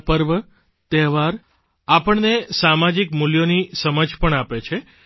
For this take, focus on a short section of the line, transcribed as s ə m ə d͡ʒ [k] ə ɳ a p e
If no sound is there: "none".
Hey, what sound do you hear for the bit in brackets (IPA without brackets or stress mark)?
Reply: p